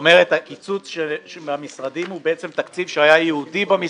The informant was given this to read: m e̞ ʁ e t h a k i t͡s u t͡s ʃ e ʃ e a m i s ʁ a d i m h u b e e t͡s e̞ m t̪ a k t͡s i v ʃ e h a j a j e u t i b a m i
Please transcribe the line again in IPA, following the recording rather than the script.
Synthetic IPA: m e̞ ʁ e t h a k i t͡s u t͡s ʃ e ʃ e a m i s ʁ a d i m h u b e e t͡s e̞ m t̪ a k t͡s i v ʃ e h a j a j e u d i b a m i